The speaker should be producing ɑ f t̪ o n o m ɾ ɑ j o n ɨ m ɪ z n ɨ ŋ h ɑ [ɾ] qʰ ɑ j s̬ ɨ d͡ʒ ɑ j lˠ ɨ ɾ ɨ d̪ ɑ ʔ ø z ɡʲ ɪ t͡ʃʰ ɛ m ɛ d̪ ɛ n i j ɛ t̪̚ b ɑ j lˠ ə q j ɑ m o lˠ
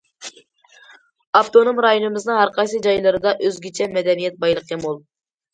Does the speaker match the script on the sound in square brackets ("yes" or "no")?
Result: yes